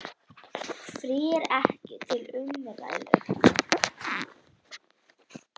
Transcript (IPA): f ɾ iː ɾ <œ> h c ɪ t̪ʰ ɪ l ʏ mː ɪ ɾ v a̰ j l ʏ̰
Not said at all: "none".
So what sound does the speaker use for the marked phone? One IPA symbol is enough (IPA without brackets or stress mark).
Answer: ɛ